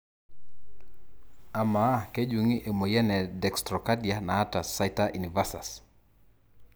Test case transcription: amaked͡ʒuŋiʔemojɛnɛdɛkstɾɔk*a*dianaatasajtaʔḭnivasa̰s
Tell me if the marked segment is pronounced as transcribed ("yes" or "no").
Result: yes